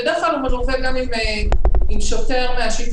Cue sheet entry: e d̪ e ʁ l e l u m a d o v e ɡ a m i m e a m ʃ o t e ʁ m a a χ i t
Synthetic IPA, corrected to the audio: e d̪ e χ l a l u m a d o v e ɡ a m i m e i m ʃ o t e ʁ m e a ʃ i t